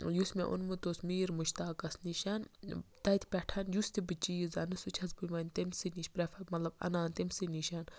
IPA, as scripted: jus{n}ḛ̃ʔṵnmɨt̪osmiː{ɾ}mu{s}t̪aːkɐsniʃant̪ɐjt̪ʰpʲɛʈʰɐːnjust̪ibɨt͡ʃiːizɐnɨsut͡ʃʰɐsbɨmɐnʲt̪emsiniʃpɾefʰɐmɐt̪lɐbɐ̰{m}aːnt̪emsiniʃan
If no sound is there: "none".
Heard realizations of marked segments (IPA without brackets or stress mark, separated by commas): m, ɾ, ʃ, n